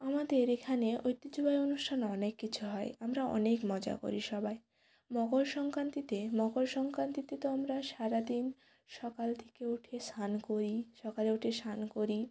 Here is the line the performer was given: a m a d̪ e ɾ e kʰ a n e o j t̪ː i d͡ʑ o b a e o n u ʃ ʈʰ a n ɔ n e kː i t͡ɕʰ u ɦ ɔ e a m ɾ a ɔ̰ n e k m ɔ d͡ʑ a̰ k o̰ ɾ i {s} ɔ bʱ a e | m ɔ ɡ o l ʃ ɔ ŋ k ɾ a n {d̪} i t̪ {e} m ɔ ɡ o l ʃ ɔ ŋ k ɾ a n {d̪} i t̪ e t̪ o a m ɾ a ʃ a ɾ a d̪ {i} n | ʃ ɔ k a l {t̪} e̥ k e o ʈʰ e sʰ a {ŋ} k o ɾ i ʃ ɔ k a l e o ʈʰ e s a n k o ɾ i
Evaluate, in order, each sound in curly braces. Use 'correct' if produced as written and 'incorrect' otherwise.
incorrect, incorrect, correct, incorrect, correct, incorrect, incorrect

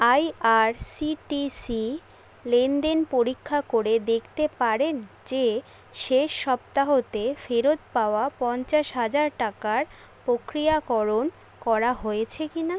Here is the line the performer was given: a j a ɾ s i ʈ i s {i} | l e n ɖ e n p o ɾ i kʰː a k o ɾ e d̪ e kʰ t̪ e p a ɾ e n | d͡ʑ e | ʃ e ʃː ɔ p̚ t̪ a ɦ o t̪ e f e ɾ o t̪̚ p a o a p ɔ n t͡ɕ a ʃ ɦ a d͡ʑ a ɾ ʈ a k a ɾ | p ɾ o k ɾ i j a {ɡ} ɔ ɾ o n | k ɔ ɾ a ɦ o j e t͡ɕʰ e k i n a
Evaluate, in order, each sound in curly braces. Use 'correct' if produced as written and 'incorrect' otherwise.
correct, incorrect

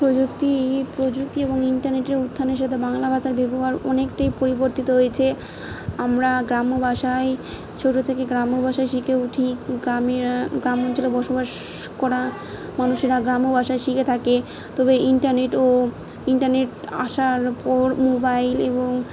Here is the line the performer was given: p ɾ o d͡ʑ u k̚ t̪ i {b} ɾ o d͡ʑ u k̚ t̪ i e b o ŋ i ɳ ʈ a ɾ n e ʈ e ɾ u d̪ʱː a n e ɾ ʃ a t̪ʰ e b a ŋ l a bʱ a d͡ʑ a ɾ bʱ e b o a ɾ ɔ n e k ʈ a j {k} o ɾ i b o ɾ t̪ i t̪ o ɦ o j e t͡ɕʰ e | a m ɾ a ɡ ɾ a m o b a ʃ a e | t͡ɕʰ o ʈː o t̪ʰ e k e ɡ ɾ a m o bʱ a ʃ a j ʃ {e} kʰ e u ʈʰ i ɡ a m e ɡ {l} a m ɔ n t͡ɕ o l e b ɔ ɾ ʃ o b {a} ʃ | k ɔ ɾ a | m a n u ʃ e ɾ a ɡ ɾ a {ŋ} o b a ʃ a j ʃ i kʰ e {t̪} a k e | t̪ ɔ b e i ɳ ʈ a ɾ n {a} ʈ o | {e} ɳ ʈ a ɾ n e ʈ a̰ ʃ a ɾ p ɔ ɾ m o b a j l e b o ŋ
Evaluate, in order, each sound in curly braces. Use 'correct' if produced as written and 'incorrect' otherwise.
incorrect, incorrect, incorrect, incorrect, correct, incorrect, incorrect, incorrect, incorrect

